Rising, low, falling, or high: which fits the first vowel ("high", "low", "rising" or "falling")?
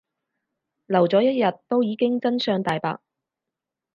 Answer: low